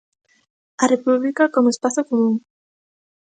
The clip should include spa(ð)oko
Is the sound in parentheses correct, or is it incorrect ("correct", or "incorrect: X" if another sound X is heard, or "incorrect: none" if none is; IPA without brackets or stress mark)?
incorrect: θ